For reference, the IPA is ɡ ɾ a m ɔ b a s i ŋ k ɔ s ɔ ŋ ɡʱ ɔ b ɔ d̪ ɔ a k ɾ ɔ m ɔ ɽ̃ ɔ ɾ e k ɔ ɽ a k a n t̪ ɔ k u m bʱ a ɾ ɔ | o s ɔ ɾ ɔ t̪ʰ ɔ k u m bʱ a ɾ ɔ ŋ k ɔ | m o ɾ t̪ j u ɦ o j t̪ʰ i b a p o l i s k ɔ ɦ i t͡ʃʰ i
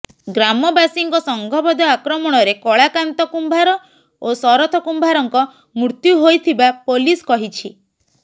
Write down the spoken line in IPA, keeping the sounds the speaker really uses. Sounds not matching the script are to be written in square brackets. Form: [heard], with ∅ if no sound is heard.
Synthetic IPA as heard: ɡ ɾ a m ɔ b a s i ŋ k ɔ s ɔ ŋ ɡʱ ɔ b ɔ d̪ ɔ a k ɾ ɔ m ɔ ɽ̃ ɔ ɾ e k ɔ [ɭ] a k a n t̪ ɔ k u m bʱ a ɾ ɔ | o s ɔ ɾ ɔ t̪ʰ ɔ k u m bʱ a ɾ ɔ ŋ k ɔ | m [u] ɾ t̪ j u ɦ o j t̪ʰ i b a p o l i s k ɔ ɦ i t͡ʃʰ i